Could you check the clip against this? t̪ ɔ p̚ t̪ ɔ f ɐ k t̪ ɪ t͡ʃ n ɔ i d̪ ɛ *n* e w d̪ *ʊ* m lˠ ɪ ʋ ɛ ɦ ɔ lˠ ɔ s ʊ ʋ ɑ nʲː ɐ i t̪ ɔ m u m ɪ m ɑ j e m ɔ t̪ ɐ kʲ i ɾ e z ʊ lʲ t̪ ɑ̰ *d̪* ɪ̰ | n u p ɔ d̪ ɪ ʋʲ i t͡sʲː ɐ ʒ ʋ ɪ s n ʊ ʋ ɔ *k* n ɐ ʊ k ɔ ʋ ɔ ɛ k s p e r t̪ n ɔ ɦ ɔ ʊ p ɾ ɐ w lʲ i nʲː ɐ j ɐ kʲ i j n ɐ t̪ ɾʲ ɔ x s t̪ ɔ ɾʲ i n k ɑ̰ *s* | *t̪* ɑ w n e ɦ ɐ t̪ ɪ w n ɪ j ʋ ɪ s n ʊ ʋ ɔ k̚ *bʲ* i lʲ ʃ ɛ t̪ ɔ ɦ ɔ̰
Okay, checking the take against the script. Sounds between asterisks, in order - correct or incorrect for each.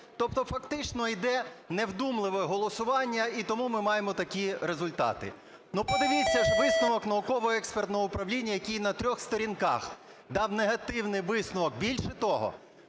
correct, incorrect, incorrect, correct, incorrect, incorrect, correct

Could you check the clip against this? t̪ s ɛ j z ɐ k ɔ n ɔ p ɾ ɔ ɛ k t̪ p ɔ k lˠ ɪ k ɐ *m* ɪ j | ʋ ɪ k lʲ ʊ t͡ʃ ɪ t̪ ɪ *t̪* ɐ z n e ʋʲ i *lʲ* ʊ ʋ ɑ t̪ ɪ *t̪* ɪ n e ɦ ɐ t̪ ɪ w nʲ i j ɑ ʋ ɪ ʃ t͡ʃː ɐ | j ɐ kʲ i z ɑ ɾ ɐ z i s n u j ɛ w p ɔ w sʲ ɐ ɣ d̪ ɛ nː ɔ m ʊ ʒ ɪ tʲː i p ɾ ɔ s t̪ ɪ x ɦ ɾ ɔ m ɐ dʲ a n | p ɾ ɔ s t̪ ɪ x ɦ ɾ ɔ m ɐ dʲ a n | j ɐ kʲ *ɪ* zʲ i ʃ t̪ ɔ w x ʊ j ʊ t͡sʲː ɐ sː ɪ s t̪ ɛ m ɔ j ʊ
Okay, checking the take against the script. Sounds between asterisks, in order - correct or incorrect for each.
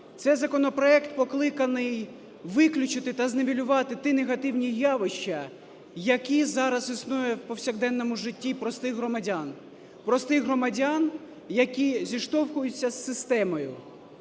incorrect, correct, correct, correct, incorrect

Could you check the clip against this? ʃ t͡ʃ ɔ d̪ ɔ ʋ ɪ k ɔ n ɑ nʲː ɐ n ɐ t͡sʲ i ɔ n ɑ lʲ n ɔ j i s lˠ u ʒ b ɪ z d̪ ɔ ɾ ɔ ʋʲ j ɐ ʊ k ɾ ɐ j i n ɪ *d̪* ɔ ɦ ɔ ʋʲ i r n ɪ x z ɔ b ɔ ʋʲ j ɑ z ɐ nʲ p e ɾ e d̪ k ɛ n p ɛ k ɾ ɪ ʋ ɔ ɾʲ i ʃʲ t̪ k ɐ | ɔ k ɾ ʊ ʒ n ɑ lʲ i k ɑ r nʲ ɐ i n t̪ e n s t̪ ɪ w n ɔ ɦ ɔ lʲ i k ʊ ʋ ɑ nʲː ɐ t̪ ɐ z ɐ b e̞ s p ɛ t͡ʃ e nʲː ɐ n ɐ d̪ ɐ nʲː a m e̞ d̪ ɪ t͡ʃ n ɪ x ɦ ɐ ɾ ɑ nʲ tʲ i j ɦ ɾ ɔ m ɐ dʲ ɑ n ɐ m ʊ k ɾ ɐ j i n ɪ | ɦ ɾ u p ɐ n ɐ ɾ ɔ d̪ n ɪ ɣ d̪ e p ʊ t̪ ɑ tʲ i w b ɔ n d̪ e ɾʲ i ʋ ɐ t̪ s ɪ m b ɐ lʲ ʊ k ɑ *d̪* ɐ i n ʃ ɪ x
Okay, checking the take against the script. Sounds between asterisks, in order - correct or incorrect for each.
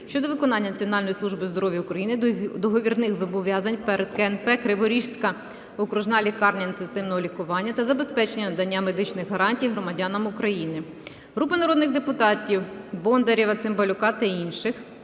correct, incorrect

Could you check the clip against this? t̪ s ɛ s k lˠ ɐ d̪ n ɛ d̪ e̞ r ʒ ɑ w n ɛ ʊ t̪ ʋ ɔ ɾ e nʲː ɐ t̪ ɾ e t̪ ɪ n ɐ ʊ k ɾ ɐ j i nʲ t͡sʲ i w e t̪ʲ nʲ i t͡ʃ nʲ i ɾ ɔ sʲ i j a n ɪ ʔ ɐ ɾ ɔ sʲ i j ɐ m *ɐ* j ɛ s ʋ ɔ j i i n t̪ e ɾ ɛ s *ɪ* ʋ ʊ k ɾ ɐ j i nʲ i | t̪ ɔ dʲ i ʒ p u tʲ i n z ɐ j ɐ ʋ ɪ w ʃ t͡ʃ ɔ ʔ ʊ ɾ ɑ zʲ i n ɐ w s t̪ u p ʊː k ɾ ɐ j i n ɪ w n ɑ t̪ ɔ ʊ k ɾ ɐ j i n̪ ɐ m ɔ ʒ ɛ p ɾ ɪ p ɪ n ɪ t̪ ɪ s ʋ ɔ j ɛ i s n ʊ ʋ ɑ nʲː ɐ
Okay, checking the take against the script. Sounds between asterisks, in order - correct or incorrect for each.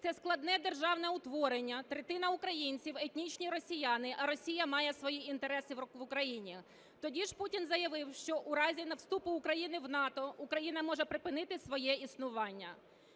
incorrect, correct

